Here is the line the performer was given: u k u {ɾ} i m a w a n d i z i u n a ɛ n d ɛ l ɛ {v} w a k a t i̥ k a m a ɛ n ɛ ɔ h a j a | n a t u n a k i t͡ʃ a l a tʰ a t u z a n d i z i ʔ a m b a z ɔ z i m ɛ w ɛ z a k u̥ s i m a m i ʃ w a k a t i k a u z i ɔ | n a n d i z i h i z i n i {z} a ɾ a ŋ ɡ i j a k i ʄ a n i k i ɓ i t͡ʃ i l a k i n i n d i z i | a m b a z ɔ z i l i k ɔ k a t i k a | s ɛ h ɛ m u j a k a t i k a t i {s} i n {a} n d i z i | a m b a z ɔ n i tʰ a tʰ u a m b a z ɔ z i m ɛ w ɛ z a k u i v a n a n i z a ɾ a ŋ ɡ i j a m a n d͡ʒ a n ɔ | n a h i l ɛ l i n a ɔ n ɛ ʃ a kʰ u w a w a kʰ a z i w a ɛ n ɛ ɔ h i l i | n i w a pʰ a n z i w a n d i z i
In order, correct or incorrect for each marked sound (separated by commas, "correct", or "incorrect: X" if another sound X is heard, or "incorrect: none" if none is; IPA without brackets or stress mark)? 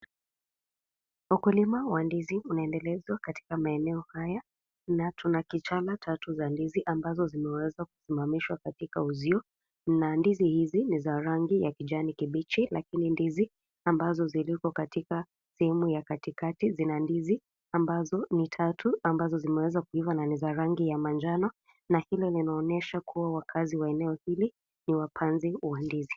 incorrect: l, incorrect: z, correct, incorrect: z, correct